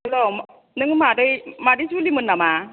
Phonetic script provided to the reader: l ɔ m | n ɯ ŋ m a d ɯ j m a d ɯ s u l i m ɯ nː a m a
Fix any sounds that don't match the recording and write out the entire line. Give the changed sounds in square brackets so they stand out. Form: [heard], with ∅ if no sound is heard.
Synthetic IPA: l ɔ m | n ɯ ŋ m a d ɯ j m a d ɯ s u l i m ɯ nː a m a